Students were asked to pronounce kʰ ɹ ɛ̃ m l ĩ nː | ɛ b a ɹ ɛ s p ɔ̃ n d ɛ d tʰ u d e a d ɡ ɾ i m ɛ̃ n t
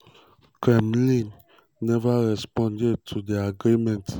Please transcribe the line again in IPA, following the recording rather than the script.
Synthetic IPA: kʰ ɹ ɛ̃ m l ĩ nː | ɛ v a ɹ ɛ s p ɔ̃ n d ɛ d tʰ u d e a ɡ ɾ i m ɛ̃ n t